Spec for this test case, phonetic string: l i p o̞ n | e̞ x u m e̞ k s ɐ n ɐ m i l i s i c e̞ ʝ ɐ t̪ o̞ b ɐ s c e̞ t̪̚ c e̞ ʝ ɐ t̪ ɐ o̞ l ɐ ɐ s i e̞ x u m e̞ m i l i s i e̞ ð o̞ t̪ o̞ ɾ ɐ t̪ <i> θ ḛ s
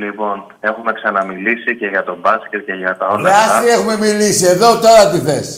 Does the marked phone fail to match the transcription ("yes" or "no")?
no